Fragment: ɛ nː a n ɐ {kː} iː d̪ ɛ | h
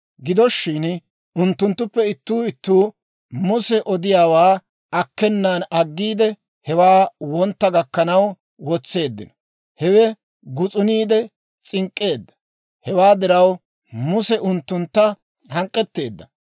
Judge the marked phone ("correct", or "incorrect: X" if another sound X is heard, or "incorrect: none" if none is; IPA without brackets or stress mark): incorrect: ɡː